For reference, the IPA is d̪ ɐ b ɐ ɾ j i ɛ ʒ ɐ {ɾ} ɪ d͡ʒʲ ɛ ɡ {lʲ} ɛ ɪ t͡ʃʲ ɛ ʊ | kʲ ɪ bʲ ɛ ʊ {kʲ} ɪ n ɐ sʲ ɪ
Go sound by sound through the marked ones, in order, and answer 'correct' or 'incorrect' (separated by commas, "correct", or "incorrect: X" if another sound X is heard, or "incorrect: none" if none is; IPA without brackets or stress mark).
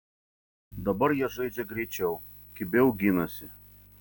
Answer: incorrect: none, incorrect: ɾʲ, incorrect: ɡʲ